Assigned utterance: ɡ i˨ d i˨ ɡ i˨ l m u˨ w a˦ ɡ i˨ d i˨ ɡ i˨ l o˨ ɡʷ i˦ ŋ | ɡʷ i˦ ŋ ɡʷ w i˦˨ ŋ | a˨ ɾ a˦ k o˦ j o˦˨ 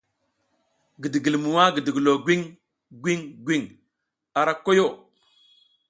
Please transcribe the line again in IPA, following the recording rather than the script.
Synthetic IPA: ɡ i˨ d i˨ ɡ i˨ l m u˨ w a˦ ɡ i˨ d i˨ ɡ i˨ l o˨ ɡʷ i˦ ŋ | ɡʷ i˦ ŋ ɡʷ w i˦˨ ŋ | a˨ ɾ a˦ k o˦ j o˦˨